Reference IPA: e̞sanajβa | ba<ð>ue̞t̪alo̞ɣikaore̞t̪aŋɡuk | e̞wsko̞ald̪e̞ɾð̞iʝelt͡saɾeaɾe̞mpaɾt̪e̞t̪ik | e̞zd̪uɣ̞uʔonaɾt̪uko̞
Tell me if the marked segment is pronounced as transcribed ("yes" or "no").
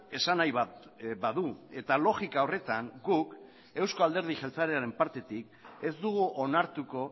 yes